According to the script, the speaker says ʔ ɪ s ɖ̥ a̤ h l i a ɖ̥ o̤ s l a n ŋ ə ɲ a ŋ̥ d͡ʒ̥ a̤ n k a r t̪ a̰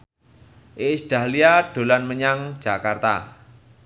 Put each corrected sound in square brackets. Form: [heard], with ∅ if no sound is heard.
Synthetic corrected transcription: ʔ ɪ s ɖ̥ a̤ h l i a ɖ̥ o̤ [∅] l a n [m] ə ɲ a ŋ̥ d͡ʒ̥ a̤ [∅] k a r t̪ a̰